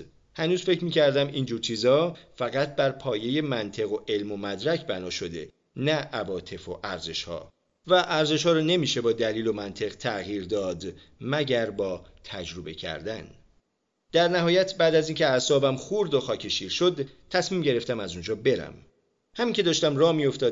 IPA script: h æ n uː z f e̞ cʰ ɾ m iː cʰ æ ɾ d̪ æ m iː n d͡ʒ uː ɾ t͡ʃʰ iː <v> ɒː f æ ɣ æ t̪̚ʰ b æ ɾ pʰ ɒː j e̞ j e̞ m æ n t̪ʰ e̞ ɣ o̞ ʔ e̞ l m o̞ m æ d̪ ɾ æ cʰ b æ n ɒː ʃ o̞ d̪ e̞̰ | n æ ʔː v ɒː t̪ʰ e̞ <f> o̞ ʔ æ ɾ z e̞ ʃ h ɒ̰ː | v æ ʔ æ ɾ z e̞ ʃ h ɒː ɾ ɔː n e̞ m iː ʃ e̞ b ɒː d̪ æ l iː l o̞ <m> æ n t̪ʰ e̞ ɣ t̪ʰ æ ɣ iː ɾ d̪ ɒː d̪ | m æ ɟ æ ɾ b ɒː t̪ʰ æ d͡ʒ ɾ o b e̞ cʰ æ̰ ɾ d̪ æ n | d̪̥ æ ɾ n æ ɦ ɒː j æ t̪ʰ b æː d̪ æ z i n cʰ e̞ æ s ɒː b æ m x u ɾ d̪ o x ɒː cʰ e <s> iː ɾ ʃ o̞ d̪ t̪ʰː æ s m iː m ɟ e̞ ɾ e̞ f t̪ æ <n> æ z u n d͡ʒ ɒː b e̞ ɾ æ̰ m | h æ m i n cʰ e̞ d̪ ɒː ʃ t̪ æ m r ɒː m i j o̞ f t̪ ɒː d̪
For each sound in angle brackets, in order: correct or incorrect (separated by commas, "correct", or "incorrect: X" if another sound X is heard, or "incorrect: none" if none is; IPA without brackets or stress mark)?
incorrect: z, correct, correct, incorrect: ʃ, incorrect: m